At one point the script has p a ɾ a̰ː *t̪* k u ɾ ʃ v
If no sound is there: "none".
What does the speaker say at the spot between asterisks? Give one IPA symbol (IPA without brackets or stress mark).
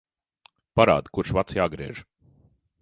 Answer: d̪